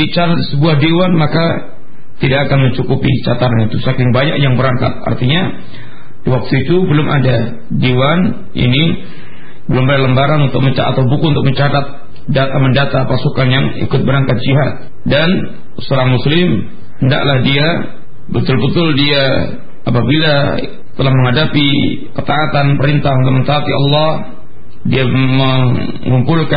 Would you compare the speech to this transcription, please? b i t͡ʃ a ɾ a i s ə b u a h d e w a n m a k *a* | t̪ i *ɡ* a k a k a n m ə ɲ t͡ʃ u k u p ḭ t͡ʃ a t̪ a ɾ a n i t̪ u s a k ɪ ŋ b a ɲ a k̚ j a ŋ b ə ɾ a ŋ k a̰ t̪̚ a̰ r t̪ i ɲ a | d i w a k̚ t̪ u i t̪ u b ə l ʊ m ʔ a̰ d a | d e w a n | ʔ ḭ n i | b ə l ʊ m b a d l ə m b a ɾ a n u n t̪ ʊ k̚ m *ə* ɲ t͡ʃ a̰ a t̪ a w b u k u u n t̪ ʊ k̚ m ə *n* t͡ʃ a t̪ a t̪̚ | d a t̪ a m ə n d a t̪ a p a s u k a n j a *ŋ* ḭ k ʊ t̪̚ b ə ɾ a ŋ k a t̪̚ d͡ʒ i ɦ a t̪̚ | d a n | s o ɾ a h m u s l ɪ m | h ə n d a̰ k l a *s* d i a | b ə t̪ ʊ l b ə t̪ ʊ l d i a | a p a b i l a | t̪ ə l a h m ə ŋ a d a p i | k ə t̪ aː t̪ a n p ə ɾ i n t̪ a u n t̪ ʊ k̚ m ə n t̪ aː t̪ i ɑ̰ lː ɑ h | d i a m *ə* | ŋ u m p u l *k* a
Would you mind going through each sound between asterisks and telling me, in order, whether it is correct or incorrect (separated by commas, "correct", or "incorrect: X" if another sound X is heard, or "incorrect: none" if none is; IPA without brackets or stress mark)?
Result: correct, incorrect: d, correct, incorrect: ɲ, correct, incorrect: h, correct, correct